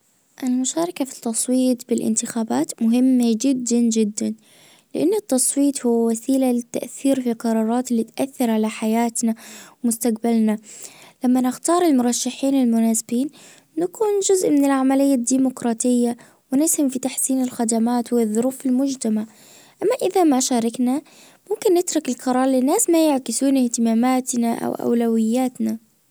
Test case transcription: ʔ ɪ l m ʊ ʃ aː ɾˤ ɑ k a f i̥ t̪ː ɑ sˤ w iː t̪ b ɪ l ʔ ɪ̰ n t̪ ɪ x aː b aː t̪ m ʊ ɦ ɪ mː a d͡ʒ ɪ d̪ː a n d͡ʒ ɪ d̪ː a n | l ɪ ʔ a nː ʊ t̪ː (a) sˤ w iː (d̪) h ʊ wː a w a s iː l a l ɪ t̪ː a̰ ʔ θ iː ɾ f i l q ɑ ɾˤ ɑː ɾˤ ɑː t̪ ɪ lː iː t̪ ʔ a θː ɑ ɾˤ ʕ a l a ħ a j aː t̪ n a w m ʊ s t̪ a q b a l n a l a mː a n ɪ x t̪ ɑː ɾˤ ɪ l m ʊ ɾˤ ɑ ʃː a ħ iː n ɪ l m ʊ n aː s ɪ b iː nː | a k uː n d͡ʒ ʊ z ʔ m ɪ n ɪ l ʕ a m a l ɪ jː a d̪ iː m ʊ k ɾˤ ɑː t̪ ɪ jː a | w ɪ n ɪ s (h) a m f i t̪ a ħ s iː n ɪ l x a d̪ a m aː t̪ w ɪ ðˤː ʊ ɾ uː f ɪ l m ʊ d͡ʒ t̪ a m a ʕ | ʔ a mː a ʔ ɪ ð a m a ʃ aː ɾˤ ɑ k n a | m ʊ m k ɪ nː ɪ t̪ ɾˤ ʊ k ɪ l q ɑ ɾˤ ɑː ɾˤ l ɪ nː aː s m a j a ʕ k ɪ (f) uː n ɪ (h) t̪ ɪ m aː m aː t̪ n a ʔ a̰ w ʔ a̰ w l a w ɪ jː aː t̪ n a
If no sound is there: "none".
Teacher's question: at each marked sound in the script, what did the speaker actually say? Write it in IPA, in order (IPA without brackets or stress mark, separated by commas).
ɑ, t̪, h, s, h